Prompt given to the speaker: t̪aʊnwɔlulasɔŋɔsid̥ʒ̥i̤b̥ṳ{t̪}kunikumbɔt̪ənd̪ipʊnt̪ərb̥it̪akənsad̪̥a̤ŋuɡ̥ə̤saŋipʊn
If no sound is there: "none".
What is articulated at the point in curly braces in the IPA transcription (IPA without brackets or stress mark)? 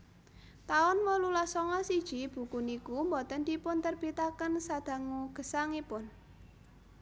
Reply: none